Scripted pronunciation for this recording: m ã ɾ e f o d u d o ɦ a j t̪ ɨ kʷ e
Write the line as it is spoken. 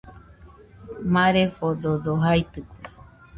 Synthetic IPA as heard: m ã ɾ e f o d o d o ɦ a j t̪ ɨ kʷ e